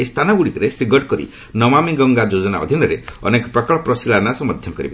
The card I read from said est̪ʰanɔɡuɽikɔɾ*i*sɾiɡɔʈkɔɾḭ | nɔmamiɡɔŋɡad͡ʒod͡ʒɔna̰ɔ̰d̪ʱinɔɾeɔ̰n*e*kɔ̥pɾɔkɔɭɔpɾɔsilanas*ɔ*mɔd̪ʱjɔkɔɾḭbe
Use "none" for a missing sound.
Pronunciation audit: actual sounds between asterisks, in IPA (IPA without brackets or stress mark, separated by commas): e, e, ɔ